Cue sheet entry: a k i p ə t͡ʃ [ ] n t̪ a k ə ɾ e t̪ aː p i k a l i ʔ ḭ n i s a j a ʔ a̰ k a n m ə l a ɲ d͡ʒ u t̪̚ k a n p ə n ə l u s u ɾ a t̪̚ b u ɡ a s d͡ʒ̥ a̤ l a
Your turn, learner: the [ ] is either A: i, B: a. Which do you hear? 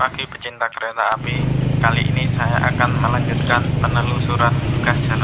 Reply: A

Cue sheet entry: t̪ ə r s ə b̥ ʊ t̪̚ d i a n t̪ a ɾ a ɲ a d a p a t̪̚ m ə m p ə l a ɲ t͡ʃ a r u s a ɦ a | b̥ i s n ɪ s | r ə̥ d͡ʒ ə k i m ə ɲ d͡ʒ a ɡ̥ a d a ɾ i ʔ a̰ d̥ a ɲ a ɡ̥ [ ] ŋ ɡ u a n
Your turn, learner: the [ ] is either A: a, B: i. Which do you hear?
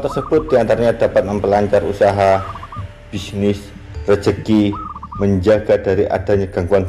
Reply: A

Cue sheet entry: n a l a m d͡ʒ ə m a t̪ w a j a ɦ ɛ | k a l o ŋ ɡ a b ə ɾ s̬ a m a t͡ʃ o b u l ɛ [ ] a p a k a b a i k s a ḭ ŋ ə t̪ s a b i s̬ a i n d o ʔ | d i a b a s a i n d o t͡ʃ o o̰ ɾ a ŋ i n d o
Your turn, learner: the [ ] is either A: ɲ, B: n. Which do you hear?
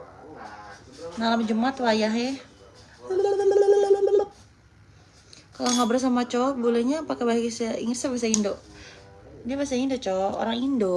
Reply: A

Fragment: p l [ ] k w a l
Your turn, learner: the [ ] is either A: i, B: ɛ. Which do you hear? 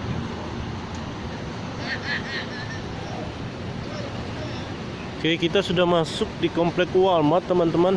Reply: B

